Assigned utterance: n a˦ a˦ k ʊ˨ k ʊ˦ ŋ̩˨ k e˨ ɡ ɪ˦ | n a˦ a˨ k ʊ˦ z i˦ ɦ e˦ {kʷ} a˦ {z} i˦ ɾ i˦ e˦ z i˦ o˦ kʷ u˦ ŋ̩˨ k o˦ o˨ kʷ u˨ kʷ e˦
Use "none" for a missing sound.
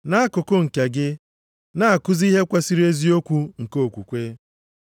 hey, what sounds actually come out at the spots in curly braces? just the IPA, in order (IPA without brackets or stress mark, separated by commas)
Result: kʷ, s